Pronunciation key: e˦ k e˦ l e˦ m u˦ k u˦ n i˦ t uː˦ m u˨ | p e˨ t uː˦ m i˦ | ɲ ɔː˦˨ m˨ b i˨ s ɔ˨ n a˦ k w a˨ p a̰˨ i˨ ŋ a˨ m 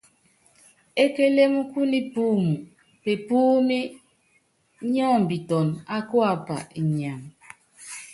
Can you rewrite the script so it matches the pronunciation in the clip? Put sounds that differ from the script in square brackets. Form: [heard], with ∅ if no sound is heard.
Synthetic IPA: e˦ k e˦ l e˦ m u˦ k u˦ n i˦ [p] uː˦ m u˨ | p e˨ [p] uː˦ m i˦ | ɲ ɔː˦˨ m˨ b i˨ [t] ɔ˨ n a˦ k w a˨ p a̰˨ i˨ [ɲ] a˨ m